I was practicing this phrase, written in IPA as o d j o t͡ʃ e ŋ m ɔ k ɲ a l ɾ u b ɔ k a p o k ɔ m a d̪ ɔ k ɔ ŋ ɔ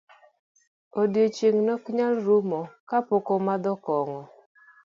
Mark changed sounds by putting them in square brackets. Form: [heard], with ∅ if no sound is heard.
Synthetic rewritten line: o d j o t͡ʃ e ŋ [n] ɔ k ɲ a l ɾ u [m] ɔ k a p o k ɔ m a d̪ ɔ k ɔ ŋ ɔ